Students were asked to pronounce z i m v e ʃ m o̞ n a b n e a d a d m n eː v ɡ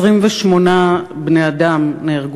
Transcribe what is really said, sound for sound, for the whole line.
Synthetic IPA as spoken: ʁ i m v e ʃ m o̞ n a b n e a d a m n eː ʁ ɡ